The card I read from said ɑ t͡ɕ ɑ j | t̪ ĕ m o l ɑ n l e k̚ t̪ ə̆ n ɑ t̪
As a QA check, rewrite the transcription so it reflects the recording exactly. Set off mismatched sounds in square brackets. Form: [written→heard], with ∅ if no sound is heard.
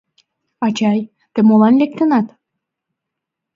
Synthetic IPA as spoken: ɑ t͡ɕ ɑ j | t̪ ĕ m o l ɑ n l e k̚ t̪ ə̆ n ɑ t̪